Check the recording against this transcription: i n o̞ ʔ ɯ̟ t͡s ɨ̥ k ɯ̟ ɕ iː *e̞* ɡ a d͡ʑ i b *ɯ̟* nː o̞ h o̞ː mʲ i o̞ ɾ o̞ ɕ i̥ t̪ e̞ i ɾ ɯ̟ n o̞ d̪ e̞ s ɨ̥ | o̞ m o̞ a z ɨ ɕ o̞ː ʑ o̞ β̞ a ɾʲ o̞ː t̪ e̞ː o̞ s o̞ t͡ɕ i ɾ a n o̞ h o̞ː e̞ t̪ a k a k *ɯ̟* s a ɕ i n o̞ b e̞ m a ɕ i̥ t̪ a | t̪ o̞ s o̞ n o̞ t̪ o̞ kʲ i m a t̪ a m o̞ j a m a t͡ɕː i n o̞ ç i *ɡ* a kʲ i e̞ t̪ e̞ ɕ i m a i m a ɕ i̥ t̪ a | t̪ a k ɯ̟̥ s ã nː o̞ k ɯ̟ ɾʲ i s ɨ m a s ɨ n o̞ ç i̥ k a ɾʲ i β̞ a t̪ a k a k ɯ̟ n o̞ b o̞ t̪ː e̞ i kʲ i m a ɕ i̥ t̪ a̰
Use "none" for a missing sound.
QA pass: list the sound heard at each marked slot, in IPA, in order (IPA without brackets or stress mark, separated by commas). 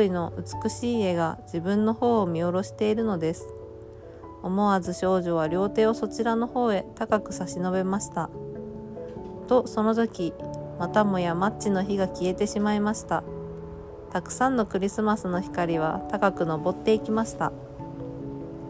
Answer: e̞, ɯ̟̃, ɯ̟, ɡ